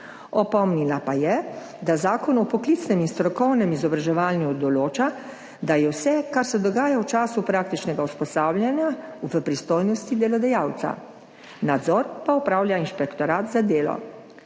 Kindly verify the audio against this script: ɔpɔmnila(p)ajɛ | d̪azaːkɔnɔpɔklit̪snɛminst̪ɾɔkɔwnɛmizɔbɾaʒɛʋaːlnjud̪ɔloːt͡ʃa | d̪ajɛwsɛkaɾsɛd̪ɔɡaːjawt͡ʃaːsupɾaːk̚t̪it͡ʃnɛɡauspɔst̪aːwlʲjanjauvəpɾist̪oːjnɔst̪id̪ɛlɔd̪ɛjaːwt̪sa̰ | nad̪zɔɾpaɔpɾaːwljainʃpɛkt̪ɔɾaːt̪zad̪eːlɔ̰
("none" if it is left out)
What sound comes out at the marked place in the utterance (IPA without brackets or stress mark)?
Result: p